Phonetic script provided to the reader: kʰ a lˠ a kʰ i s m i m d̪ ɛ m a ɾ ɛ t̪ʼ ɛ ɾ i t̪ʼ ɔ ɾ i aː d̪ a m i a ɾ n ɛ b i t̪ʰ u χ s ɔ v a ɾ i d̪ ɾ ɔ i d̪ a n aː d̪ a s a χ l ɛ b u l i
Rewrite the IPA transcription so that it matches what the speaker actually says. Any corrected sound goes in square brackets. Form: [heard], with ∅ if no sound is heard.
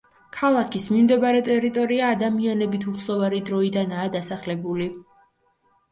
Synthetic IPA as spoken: kʰ a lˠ a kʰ i s m i m d̪ ɛ [b] a ɾ ɛ t̪ʼ ɛ ɾ i t̪ʼ ɔ ɾ i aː d̪ a m i a [∅] n ɛ b i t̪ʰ u χ s ɔ v a ɾ i d̪ ɾ ɔ i d̪ a n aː d̪ a s a χ l ɛ b u l i